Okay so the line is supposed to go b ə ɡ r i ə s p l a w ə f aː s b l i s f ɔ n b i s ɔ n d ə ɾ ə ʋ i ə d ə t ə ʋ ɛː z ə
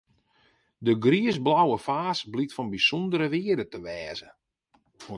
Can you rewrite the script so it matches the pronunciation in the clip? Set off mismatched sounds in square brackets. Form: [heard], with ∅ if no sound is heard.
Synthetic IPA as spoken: [d] ə ɡ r i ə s [b] l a w ə f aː s b l i [t] f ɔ n b i s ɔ n d ə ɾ ə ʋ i ə d ə t ə ʋ ɛː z ə